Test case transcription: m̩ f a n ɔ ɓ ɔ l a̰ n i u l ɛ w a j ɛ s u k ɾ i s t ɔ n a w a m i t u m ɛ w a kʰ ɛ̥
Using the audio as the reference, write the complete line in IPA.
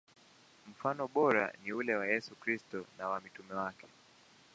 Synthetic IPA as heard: m̩ f a n ɔ ɓ ɔ ɾ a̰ n i u l ɛ w a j ɛ s u k ɾ i s t ɔ n a w a m i t u m ɛ w a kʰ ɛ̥